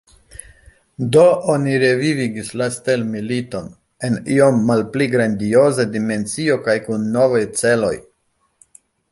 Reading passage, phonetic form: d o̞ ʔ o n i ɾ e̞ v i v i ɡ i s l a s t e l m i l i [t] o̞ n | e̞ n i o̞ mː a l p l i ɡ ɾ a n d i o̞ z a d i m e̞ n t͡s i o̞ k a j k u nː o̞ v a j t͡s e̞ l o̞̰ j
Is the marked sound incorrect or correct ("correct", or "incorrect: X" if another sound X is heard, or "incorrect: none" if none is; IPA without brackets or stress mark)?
correct